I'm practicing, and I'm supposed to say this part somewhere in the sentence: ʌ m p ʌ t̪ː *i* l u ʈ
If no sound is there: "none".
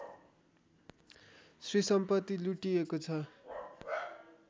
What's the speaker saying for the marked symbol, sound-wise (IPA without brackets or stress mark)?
i